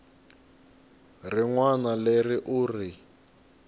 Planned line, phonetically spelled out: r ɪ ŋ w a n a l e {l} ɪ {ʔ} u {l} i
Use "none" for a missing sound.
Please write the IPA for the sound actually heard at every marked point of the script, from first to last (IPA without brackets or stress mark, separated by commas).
r, ʔ, r